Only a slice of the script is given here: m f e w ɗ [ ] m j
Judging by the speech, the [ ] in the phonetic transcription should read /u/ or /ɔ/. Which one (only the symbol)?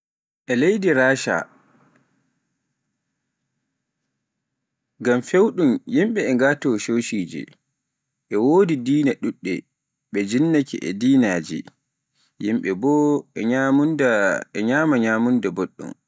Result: u